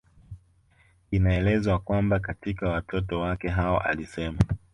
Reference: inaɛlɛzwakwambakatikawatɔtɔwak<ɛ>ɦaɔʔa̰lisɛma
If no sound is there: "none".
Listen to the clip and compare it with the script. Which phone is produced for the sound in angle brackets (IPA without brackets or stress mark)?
ɛ